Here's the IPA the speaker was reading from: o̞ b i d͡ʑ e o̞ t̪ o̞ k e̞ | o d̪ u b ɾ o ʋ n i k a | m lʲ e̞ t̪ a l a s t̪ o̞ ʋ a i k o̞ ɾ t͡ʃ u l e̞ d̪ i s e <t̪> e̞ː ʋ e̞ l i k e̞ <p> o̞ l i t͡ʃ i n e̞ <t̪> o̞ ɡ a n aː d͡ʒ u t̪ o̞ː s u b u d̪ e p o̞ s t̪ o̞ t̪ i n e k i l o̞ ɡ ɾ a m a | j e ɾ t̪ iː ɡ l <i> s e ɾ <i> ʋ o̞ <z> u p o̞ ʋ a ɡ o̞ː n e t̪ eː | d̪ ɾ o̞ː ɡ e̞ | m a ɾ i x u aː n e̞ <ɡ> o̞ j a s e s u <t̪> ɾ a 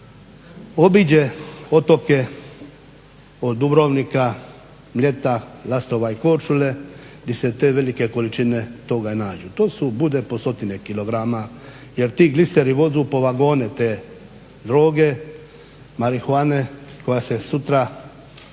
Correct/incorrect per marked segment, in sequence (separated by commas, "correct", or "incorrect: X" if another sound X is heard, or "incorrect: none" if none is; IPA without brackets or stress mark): correct, incorrect: k, correct, correct, correct, correct, incorrect: k, correct